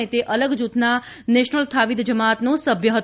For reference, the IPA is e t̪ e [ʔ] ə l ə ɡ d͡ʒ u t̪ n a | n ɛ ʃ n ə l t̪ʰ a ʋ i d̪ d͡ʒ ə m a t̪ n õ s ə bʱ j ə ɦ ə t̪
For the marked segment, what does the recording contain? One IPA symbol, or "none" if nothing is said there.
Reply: ʔ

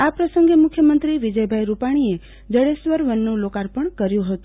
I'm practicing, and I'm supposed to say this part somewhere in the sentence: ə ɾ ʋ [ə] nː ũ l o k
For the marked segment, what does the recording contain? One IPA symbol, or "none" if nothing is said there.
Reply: ə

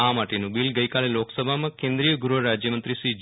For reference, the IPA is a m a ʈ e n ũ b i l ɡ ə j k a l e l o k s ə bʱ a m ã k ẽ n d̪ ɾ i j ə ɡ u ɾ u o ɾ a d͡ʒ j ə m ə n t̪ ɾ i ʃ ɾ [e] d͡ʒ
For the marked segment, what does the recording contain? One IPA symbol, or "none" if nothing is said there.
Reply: i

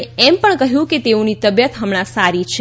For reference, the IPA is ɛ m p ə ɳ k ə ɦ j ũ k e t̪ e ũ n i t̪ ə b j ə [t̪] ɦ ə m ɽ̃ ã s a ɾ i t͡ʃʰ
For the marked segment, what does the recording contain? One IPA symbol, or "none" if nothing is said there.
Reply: t̪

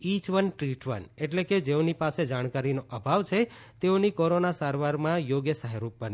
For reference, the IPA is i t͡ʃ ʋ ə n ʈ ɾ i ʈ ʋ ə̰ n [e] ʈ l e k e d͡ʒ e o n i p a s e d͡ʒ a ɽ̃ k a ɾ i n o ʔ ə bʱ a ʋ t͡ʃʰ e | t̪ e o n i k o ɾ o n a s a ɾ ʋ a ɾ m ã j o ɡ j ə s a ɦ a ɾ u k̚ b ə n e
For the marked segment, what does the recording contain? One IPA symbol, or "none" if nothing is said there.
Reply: e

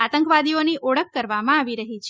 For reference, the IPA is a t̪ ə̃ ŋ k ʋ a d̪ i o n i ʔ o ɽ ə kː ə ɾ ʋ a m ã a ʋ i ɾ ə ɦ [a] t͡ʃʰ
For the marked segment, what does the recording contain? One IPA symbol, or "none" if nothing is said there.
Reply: i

